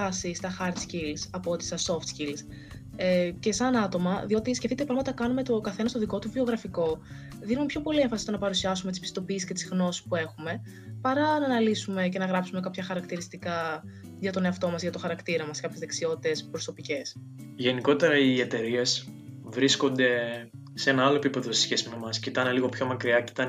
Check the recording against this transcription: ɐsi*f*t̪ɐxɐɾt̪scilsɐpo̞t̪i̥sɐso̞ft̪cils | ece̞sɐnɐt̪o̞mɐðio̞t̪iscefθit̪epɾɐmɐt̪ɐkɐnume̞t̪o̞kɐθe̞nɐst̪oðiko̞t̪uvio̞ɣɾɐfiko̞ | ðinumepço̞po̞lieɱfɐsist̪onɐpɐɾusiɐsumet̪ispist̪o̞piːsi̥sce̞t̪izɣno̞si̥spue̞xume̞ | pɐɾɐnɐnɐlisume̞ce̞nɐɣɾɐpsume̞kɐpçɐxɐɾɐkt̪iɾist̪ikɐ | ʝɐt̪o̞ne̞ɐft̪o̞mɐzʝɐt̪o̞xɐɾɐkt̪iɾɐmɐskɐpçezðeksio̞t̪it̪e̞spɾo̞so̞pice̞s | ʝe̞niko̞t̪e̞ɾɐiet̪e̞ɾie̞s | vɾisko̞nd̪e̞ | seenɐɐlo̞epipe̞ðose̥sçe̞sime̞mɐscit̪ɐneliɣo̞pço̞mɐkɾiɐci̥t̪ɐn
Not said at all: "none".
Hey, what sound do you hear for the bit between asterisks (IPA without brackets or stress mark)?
s